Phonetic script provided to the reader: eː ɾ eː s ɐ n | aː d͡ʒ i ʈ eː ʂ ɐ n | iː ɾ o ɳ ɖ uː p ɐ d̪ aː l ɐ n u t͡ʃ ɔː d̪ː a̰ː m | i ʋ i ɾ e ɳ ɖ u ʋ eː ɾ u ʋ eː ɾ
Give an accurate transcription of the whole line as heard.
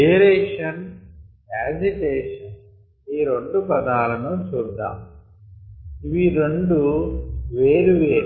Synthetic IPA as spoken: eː ɾ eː ʂ ɐ n | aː d͡ʒ i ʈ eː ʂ ɐ n | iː ɾ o ɳ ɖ u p ɐ d̪ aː l ɐ n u t͡ʃ uː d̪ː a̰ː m | i ʋ i ɾ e ɳ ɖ u ʋ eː ɾ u ʋ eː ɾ